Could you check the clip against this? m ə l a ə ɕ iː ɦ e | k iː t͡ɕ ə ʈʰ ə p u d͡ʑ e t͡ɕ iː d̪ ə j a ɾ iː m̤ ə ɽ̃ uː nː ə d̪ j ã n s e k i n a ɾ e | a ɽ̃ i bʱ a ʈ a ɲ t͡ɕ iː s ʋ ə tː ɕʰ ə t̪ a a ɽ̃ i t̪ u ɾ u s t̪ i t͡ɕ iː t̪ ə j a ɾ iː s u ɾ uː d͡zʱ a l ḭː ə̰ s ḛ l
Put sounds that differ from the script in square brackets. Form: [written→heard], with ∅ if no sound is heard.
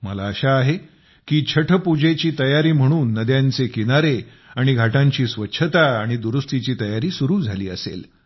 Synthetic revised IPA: m ə l a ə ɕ [iː→aː] ɦ e | k iː [t͡ɕ→t͡ɕʰ] ə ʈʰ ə p u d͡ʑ e t͡ɕ iː [d̪→t̪] ə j a ɾ iː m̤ ə ɽ̃ uː nː ə d̪ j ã n [s→t͡s] e k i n a ɾ e | a ɽ̃ i [bʱ→ɡʱ] a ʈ a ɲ t͡ɕ iː s ʋ ə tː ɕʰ ə t̪ a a ɽ̃ i [t̪→d̪] u ɾ u s t̪ i t͡ɕ iː t̪ ə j a ɾ iː s u ɾ uː d͡zʱ a l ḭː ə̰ s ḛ l